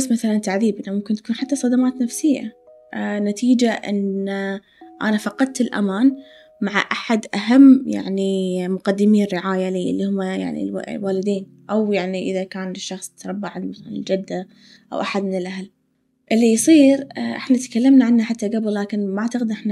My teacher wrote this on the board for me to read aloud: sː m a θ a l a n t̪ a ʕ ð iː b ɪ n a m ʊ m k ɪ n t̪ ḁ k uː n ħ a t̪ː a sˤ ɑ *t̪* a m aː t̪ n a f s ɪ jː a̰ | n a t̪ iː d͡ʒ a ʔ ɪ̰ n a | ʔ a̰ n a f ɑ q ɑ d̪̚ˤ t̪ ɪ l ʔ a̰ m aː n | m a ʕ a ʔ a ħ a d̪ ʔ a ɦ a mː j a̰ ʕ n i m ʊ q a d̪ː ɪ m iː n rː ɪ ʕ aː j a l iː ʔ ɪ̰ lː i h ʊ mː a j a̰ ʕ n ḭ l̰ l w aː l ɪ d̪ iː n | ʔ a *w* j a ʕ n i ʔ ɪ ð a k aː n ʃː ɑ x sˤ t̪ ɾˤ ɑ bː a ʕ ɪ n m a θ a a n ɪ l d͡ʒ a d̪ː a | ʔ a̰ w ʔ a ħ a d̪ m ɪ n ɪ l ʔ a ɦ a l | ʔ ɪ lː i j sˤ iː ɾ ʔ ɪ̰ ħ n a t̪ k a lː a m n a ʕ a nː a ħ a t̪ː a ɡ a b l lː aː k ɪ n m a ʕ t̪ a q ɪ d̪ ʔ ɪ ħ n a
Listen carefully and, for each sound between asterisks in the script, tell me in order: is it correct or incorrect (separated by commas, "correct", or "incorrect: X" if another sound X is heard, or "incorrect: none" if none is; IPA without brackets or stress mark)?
incorrect: d̪, correct